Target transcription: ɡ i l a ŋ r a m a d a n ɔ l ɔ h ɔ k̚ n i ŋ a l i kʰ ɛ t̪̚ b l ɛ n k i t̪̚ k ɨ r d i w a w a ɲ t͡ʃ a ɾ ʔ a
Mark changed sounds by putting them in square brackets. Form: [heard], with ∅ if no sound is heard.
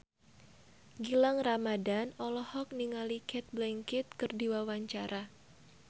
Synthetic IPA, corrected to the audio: ɡ i l a ŋ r a m a d a n ɔ l ɔ h ɔ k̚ n i ŋ a l i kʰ ɛ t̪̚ b l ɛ [ŋ] k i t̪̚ k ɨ r d i w a w a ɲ t͡ʃ a ɾ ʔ a